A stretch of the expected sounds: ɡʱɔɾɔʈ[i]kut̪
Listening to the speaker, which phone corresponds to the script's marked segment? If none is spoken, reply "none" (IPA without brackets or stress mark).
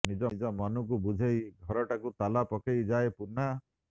a